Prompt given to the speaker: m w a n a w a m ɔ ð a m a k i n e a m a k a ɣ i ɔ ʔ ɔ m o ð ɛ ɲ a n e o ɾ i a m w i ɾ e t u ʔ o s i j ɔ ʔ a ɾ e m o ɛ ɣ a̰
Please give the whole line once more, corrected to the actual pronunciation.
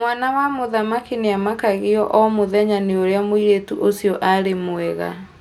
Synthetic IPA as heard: m w a n a w a m o ð a m a k i n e a m a k a ɣ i ɔ ʔ ɔ m o ð ɛ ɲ a n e o ɾ e a m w i ɾ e t u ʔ o s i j ɔ ʔ a ɾ e m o ɛ ɣ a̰